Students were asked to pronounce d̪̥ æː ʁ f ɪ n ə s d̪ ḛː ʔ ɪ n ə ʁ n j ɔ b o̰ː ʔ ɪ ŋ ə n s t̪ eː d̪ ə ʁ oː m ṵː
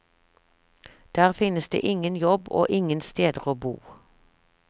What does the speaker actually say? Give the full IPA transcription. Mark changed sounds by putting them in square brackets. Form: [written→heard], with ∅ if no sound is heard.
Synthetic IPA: d̪̥ æː ʁ f ɪ n ə s d̪ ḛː ʔ ɪ [n→ŋ] ə [ʁ→∅] n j ɔ b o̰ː ʔ ɪ ŋ ə n s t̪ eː d̪ ə ʁ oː [m→b] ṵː